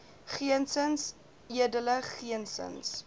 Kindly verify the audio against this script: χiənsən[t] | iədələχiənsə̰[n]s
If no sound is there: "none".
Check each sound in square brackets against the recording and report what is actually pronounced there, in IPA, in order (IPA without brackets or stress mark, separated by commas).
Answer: s, n